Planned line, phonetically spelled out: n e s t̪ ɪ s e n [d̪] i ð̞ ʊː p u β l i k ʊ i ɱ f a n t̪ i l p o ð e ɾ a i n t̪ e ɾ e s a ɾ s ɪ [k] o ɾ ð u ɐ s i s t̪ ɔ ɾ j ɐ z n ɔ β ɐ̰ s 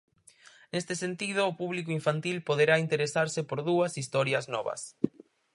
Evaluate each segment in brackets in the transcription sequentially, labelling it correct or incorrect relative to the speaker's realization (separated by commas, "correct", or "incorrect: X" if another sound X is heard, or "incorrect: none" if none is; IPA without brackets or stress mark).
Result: incorrect: t̪, incorrect: p